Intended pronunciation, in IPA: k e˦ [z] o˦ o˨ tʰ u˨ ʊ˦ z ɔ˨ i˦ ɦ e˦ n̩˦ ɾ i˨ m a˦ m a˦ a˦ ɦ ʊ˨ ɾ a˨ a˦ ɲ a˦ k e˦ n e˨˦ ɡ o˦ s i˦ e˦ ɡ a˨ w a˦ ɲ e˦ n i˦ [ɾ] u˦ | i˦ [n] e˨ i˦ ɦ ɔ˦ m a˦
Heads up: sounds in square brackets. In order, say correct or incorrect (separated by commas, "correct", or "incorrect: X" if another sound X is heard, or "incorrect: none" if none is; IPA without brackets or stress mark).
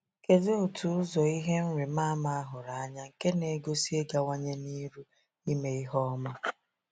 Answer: correct, correct, incorrect: m